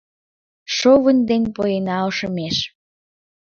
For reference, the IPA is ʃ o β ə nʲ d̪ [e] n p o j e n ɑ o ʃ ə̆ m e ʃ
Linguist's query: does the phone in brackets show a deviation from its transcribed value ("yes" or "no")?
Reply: no